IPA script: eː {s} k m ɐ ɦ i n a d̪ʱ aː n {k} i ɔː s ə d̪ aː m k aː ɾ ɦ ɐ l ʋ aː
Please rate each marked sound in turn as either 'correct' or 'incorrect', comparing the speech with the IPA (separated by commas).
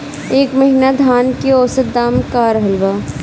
incorrect, correct